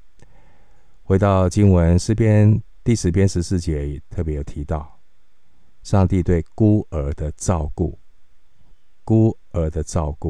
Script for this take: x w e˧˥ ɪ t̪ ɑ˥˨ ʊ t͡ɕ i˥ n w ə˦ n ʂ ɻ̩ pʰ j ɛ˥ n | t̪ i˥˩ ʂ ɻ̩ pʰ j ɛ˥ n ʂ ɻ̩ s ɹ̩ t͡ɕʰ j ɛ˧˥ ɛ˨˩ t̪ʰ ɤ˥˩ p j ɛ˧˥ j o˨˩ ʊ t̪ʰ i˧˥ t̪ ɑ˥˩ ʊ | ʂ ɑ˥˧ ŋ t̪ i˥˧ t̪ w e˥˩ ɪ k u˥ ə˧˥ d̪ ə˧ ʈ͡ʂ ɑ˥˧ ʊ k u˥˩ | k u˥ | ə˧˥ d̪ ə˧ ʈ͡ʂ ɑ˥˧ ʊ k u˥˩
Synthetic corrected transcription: x w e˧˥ ɪ t̪ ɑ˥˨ ʊ t͡ɕ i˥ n w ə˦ n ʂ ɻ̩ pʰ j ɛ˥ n | t̪ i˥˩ ʂ ɻ̩ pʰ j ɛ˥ n ʂ ɻ̩ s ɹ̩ t͡ɕ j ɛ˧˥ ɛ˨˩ t̪ʰ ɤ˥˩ p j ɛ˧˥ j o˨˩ ʊ t̪ʰ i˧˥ t̪ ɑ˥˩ ʊ | ʂ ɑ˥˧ ŋ t̪ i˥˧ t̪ w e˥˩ ɪ k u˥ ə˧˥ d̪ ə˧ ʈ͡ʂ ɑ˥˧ ʊ k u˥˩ | k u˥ | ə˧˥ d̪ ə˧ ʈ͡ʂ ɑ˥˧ ʊ k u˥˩